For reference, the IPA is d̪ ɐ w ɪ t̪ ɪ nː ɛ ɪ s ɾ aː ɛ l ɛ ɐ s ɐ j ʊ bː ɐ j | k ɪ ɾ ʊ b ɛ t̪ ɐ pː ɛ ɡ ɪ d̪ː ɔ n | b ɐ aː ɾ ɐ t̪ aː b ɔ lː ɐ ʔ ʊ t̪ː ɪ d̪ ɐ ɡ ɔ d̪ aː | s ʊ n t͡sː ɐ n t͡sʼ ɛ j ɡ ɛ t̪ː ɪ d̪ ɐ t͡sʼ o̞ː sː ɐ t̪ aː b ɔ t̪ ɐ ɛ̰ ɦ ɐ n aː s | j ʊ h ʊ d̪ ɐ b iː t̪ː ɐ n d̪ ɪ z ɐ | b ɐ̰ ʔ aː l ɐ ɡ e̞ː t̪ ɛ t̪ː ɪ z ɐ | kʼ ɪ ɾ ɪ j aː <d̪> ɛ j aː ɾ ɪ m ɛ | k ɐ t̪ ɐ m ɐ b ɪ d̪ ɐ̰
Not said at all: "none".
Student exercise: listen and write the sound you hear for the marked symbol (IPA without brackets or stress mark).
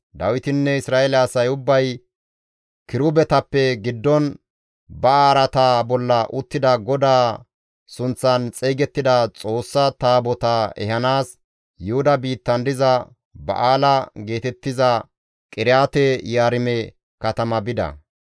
t̪